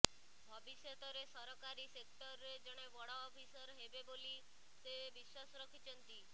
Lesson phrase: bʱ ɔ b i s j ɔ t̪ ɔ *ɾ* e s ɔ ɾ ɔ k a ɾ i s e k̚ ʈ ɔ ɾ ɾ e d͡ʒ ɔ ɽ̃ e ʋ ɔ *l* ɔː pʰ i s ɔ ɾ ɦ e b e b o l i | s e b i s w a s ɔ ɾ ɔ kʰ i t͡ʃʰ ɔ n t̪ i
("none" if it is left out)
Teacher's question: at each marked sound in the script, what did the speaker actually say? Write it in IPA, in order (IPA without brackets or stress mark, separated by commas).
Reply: ɾ, ɽ